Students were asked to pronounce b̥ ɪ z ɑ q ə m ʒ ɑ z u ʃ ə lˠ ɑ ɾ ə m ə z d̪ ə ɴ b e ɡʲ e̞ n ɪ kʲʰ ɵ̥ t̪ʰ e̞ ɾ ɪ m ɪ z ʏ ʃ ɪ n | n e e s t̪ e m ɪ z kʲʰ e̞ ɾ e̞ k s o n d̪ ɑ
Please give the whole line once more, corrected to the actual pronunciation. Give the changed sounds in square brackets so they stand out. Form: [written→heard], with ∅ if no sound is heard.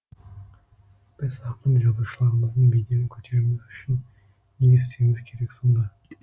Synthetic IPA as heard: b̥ ɪ z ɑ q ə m ʒ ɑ z u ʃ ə lˠ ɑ ɾ ə m ə z d̪ ə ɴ b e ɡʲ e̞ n ɪ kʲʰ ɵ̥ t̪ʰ e̞ ɾ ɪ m ɪ z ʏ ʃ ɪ n | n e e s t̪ e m ɪ z kʲʰ e̞ ɾ e̞ k s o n d̪ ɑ